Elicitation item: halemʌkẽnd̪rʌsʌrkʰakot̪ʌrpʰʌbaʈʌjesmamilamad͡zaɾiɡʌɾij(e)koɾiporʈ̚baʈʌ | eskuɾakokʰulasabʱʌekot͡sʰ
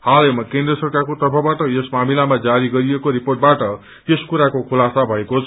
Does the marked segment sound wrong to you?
no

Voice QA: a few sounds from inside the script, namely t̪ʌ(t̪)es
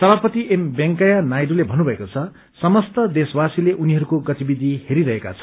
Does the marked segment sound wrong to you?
yes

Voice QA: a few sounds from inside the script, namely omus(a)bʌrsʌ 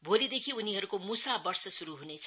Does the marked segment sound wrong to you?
no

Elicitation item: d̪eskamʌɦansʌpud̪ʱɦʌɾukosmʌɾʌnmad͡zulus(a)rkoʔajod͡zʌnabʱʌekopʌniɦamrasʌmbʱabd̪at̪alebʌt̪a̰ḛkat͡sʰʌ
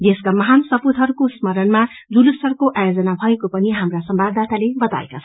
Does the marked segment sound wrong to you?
yes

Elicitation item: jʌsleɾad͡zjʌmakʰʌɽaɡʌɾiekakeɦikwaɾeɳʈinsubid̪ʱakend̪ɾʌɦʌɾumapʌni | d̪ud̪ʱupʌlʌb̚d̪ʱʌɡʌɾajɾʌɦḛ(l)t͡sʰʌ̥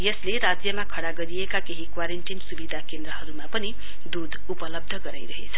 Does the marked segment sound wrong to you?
yes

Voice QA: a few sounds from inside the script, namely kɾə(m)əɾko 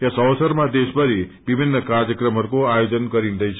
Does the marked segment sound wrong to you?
no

